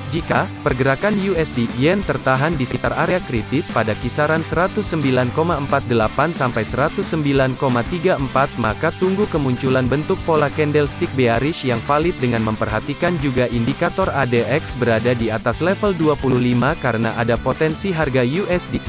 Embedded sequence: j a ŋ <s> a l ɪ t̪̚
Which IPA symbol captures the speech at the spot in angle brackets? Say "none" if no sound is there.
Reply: f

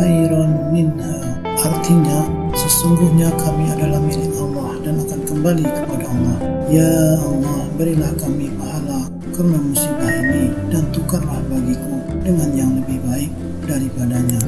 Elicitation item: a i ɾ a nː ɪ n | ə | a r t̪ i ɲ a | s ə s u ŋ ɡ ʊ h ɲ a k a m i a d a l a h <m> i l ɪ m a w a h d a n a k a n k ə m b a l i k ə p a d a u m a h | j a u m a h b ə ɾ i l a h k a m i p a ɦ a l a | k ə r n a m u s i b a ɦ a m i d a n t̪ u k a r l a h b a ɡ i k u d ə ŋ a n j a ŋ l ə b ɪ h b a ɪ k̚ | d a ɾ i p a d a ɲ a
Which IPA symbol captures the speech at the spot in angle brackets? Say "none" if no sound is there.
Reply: m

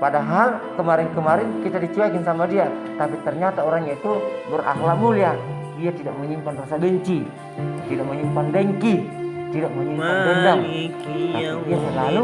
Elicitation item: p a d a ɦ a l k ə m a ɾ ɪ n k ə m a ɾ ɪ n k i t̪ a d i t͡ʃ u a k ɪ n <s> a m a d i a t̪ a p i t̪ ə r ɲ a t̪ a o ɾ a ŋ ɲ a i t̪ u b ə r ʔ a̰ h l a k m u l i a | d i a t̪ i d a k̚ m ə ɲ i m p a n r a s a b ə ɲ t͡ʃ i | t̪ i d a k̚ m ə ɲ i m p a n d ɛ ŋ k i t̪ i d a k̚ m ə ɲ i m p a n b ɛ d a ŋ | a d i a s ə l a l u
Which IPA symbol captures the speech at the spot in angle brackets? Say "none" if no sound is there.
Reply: s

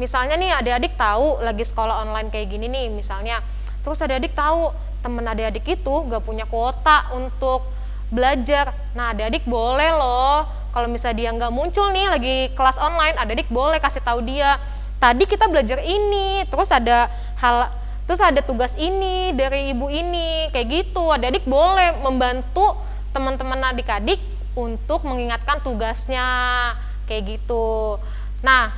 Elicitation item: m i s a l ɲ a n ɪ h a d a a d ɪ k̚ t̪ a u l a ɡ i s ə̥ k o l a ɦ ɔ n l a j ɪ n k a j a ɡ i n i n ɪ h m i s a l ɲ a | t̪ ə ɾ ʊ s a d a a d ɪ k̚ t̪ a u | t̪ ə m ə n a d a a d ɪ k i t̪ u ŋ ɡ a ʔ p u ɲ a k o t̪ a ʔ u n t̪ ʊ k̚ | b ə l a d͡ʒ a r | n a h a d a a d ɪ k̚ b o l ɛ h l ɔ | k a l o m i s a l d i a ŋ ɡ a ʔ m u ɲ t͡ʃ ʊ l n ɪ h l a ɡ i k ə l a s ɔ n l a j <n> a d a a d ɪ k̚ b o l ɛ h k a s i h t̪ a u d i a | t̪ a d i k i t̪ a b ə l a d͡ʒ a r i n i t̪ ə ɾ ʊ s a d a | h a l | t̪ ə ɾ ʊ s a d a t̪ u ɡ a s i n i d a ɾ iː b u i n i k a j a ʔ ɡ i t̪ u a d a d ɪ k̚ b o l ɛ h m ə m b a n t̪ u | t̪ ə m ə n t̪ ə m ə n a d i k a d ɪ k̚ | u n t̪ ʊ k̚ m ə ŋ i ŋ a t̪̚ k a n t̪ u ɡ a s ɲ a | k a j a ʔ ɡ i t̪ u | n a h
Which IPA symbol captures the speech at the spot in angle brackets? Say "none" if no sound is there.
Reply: n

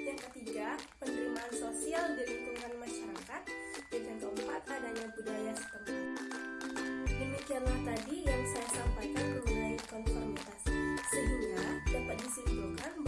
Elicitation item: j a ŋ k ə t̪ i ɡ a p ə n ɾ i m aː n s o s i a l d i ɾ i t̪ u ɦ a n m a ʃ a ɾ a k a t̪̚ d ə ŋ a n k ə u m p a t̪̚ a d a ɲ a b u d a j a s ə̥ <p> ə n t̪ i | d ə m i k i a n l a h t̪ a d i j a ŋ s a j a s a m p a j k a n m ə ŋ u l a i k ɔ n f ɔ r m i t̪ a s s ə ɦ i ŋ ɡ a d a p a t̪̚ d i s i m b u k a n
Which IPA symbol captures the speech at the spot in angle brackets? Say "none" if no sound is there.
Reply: p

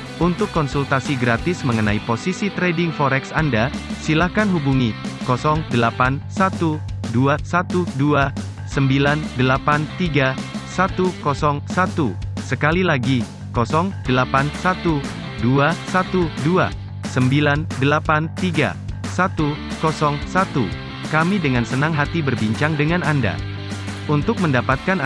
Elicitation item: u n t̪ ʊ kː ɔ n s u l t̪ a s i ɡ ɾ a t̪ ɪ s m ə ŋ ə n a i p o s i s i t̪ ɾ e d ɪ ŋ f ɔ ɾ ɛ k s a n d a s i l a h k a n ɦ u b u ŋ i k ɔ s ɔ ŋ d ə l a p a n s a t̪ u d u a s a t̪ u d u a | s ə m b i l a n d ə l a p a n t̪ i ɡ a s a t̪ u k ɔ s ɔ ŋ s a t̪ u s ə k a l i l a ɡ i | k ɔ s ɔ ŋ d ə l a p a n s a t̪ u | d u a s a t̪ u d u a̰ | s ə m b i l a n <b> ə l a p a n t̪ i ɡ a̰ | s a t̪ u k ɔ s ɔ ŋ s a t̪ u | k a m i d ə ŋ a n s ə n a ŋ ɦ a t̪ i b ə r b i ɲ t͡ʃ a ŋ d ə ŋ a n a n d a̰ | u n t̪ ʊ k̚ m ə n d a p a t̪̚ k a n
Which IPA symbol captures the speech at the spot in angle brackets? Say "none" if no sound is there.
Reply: d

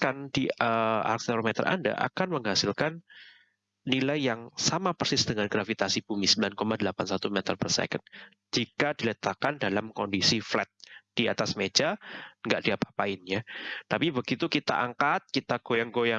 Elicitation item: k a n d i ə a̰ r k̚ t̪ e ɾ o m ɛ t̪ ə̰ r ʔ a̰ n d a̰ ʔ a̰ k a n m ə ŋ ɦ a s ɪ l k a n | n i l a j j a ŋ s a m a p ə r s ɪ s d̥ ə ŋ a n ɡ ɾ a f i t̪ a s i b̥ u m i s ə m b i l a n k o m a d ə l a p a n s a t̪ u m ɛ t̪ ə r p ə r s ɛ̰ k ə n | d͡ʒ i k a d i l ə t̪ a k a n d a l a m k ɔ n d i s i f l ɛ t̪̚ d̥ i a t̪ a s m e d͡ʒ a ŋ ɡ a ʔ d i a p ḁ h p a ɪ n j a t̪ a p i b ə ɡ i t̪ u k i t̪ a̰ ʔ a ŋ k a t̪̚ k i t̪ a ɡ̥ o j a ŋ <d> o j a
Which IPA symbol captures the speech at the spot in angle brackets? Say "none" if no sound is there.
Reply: ɡ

